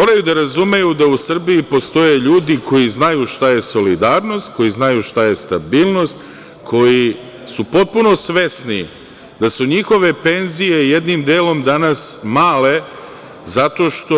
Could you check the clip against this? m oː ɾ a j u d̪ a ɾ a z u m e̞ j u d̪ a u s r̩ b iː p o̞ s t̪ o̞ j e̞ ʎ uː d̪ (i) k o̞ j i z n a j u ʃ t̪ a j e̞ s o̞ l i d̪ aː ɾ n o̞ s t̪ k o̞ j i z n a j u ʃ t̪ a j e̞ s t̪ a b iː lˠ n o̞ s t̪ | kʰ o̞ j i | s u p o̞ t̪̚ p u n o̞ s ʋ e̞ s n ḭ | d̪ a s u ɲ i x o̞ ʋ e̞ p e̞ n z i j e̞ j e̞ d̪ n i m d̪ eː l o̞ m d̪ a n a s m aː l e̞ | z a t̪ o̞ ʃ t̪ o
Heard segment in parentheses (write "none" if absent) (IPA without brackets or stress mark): i